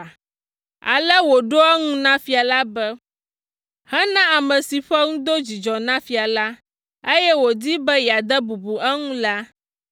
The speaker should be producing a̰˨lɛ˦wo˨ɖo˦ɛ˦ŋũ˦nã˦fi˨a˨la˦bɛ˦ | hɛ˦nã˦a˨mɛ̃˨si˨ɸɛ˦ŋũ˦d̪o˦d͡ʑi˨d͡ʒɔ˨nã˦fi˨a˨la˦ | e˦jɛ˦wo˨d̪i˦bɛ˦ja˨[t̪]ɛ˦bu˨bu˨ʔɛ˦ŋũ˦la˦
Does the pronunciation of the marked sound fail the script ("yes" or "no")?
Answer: yes